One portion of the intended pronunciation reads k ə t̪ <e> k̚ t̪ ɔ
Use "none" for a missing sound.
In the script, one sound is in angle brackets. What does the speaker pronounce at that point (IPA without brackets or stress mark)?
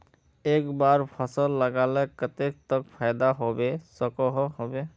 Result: e